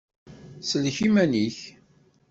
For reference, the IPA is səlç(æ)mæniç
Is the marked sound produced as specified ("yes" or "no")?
no